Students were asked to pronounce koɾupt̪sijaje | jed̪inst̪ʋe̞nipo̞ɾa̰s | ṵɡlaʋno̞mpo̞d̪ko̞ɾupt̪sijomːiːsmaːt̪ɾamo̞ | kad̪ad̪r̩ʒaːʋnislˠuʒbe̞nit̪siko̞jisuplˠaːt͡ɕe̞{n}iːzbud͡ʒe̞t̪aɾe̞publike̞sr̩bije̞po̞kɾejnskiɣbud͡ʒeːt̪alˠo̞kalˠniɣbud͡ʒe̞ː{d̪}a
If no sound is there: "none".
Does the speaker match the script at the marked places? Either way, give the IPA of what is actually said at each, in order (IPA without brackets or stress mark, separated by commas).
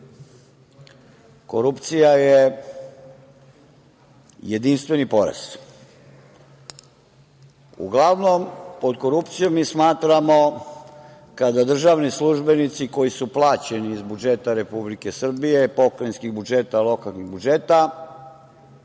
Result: n, t̪